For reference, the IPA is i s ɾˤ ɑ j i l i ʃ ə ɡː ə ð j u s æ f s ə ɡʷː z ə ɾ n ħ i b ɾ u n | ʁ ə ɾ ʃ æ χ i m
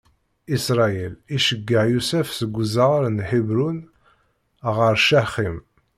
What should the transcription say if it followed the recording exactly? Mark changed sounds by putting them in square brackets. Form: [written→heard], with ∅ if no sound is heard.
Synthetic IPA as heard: i s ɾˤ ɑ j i l i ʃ ə ɡː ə [ð→ʕ] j u s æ f s ə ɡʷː z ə ɾ n ħ i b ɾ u n | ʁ ə ɾ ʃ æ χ i m